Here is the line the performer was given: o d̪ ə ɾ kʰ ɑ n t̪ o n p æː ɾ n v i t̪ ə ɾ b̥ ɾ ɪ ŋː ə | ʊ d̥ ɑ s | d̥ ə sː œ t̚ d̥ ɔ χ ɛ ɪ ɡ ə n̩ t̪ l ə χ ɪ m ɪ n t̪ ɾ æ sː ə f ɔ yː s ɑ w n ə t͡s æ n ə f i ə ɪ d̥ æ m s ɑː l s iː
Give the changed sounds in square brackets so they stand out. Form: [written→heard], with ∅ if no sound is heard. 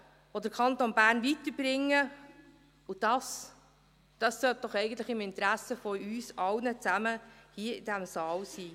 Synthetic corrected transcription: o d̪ ə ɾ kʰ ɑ n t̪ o n [p→b] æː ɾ n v i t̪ ə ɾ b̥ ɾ ɪ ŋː ə | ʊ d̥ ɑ s | d̥ [ə→ɑ] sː œ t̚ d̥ ɔ χ ɛ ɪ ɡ ə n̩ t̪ l ə χ ɪ m ɪ n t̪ ɾ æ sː ə f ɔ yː s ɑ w n ə t͡s æ [n→m] ə [f→h] i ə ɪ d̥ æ m s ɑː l s iː